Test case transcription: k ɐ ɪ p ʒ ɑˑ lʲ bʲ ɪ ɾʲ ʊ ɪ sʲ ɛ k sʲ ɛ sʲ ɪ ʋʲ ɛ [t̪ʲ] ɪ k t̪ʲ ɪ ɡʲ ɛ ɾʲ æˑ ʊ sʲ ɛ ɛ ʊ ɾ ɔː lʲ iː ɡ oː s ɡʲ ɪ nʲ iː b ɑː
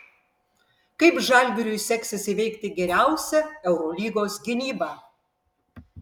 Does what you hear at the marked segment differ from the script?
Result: yes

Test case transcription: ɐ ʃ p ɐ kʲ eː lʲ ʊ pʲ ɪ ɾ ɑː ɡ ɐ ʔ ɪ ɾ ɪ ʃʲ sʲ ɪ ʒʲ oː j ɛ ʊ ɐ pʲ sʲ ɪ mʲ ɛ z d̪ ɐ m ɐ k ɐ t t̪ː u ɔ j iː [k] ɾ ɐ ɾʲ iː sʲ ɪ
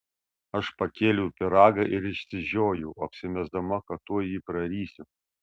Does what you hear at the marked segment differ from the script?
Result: yes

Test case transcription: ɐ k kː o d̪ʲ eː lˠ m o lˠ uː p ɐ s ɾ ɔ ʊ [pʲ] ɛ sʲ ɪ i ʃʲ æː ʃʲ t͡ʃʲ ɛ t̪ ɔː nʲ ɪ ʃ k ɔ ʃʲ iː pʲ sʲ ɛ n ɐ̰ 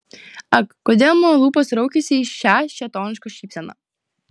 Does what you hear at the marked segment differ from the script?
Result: yes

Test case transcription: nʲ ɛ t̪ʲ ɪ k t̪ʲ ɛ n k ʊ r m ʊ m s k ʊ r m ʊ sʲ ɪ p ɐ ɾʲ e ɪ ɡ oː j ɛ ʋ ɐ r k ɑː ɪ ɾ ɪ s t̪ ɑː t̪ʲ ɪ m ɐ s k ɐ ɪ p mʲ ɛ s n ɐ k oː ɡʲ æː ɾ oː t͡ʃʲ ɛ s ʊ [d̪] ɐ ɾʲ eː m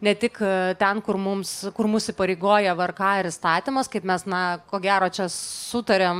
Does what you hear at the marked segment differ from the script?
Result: yes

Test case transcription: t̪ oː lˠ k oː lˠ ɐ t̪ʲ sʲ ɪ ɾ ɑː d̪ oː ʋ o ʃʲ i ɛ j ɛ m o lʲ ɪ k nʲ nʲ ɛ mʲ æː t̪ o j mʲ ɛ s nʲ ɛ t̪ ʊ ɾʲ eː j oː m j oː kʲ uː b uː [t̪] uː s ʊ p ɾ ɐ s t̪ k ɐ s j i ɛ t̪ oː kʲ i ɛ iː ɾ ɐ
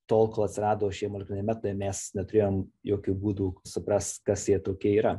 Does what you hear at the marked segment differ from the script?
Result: yes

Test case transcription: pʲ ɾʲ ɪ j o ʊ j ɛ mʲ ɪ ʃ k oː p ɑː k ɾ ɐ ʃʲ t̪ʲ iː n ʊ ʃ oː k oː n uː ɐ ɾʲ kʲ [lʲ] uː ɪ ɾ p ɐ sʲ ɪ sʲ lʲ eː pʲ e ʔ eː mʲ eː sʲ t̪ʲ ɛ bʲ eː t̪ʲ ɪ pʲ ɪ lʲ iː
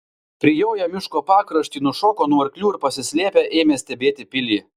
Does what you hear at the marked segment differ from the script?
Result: no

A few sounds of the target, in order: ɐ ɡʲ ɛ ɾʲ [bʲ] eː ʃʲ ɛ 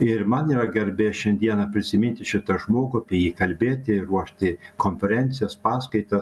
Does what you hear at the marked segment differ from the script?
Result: no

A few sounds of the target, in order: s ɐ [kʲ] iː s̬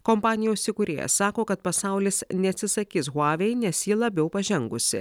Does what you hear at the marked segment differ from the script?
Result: no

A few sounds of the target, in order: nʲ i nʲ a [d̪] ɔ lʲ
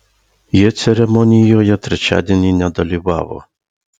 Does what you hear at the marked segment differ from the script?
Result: no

